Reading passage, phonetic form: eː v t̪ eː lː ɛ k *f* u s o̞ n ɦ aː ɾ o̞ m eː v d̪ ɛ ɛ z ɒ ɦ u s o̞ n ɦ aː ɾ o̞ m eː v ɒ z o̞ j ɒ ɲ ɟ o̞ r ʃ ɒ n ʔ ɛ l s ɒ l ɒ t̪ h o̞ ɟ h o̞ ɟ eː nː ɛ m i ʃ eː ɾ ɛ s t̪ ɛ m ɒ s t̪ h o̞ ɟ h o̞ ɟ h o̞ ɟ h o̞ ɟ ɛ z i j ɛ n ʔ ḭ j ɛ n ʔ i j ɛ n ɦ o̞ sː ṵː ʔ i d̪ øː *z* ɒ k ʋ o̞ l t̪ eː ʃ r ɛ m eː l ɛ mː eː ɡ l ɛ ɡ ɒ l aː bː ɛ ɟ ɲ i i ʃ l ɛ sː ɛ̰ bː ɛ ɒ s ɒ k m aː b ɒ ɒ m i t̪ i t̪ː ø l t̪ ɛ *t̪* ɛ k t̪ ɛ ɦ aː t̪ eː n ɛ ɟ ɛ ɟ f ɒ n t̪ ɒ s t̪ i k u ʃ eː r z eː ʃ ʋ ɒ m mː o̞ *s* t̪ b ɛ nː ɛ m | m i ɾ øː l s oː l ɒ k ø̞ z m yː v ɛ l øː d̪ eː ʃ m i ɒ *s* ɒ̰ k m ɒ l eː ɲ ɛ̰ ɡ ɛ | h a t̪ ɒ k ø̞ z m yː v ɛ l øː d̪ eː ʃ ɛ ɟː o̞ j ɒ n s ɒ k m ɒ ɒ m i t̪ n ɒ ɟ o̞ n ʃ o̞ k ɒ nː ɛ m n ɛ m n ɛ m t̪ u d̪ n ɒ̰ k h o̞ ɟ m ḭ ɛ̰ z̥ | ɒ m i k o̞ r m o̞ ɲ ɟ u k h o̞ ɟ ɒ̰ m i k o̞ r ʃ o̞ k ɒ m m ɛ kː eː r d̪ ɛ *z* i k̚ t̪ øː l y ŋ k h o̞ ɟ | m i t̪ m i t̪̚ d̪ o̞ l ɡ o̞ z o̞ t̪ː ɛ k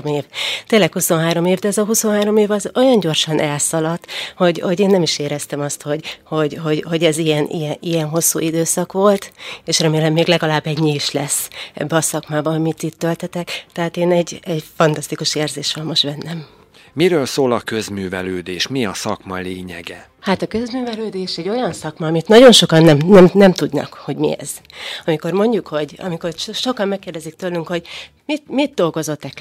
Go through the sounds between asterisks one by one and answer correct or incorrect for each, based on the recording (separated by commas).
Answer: incorrect, incorrect, correct, incorrect, correct, correct